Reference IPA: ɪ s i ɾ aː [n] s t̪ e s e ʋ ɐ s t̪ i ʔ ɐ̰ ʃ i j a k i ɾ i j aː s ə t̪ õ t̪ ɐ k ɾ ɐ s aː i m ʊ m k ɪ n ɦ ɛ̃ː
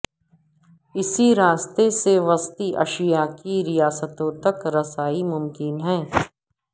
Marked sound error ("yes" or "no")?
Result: yes